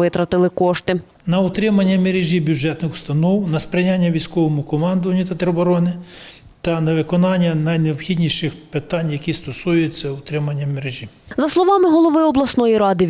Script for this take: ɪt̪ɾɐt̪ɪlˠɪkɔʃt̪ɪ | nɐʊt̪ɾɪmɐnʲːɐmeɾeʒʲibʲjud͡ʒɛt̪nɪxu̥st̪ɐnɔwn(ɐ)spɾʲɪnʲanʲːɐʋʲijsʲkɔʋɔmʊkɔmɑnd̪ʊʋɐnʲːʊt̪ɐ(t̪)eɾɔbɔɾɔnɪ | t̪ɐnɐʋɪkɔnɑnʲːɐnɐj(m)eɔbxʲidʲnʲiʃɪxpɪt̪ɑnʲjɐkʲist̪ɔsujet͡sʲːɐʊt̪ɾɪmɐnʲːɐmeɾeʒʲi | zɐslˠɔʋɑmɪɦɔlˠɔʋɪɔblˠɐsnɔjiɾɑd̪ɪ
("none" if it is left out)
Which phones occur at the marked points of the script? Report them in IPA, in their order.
ɐ, t̪, n

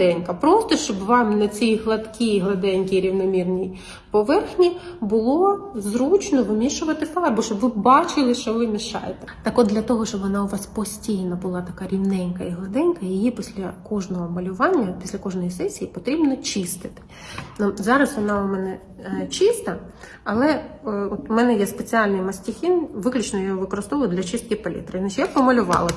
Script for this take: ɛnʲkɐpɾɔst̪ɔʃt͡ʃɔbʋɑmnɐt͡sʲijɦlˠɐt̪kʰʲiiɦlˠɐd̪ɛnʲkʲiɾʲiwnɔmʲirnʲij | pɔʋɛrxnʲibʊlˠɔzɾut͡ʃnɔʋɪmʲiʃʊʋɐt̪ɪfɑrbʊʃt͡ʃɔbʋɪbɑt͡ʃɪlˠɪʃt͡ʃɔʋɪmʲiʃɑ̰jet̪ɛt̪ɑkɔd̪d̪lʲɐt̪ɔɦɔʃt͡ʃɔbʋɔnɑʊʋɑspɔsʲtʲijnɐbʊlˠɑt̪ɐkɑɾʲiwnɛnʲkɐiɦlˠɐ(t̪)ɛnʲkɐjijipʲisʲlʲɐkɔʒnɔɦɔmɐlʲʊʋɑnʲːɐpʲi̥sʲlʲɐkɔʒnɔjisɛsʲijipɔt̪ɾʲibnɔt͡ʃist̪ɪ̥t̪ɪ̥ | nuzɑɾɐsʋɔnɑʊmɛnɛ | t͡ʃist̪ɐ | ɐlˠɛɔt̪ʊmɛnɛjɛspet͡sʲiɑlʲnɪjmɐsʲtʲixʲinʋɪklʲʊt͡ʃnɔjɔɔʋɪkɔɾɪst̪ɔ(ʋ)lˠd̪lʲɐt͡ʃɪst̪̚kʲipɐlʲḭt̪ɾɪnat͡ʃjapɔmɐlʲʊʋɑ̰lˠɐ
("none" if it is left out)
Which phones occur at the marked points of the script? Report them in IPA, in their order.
d̪, ʋ

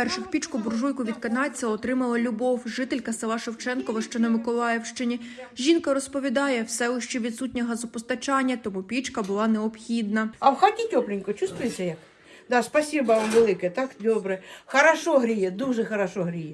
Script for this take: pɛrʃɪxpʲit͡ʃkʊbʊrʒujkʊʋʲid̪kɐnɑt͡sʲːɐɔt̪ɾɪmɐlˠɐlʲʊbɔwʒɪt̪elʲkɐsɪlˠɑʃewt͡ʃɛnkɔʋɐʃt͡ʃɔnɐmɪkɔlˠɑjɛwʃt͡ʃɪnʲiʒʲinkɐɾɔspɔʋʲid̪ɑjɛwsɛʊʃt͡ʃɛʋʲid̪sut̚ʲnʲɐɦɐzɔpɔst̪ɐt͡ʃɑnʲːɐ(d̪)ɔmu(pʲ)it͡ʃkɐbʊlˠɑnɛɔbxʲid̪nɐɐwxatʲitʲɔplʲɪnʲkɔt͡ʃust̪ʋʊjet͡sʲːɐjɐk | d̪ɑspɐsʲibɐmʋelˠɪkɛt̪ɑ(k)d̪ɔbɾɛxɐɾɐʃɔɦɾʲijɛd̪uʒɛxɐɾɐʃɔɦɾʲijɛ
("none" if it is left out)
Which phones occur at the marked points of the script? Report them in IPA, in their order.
t̪, pʲ, k

